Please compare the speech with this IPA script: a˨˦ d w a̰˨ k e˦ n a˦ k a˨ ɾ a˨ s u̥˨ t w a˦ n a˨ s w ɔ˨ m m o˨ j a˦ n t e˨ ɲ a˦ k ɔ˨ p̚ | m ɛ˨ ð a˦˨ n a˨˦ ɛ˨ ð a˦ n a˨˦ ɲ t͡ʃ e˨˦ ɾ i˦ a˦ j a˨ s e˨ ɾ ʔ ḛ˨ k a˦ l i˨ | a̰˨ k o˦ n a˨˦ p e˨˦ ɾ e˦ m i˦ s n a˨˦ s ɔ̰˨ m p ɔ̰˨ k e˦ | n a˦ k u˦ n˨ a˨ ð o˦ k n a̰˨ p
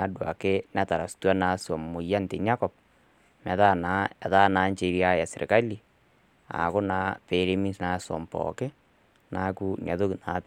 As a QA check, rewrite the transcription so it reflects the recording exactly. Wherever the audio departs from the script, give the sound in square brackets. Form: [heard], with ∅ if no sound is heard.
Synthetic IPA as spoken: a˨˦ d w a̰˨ k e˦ n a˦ [t] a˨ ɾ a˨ s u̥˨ t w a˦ n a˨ s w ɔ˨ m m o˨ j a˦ n t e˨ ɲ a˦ k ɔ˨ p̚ | m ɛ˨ ð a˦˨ n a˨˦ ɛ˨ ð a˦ n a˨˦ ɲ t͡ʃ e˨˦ ɾ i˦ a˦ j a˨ s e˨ ɾ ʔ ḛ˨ k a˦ l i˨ | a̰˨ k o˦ n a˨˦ p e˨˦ ɾ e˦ m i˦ s n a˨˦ s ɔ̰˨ m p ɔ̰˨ k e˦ | n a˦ k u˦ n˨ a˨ ð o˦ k n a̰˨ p